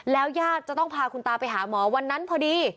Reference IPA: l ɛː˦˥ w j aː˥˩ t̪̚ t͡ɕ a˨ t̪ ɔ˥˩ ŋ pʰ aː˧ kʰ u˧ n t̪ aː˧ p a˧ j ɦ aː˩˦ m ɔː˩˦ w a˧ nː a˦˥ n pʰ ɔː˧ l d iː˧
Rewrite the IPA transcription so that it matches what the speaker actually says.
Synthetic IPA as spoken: l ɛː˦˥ w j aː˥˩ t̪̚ t͡ɕ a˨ t̪ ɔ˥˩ ŋ pʰ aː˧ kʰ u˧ n t̪ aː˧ p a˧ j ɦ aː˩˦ m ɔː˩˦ w a˧ nː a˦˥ n pʰ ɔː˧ d iː˧